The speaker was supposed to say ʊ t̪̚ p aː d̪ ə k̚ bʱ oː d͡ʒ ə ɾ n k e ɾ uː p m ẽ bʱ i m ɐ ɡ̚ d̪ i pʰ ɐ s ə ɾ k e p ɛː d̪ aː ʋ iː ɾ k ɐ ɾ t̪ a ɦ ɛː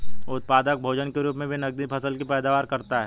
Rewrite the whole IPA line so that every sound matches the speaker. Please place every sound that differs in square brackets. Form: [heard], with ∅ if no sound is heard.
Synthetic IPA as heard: ʊ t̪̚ p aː d̪ ə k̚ bʱ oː d͡ʒ ə [∅] n k e ɾ uː p m ẽ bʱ i [n] ɐ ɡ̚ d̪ i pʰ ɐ s ə [l] k [i] p ɛː d̪ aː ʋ [aː] ɾ k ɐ ɾ t̪ a ɦ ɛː